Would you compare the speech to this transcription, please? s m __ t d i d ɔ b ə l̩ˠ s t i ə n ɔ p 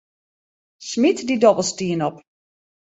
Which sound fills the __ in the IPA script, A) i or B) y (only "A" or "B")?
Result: A